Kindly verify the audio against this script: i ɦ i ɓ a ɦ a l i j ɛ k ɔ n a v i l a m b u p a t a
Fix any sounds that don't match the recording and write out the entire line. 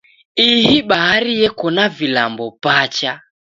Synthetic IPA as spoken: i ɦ i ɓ a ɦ a ɾ i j ɛ k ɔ n a v i l a m b ɔ p a t͡ʃ a